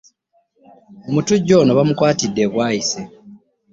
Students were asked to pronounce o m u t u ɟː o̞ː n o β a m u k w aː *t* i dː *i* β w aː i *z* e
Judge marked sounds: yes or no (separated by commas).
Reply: yes, no, no